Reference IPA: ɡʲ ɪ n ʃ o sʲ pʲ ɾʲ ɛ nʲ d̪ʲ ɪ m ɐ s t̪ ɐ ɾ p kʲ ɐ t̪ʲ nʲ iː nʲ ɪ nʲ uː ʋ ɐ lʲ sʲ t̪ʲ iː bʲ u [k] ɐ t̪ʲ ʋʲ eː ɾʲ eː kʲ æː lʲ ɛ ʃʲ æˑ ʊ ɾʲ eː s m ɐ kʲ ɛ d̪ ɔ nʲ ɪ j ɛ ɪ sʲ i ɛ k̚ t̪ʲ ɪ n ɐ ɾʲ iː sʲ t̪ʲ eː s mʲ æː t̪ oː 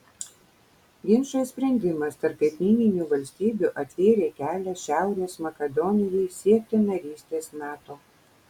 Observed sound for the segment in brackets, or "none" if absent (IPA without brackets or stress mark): ʔ